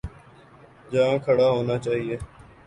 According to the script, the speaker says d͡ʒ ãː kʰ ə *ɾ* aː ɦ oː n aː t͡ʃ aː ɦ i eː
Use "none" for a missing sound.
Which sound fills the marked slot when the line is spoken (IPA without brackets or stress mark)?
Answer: ɽ